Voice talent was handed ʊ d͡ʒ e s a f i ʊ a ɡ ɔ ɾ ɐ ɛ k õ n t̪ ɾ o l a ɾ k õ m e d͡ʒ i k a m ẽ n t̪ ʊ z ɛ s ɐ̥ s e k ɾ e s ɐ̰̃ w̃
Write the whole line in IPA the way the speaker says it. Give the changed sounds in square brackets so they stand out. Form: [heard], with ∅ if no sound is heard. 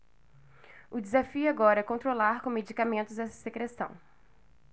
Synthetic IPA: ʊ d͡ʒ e [z] a f i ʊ a ɡ ɔ ɾ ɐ ɛ k õ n t̪ ɾ o l a ɾ k õ m e d͡ʒ i k a m ẽ n t̪ ʊ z ɛ s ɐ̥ s e k ɾ e s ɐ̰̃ w̃